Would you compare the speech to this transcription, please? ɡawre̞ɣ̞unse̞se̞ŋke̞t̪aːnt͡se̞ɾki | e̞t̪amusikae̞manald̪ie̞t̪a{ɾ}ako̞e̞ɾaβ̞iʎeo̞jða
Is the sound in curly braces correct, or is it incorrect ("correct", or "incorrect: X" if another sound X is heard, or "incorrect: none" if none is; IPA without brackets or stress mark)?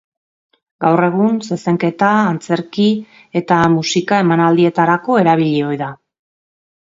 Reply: correct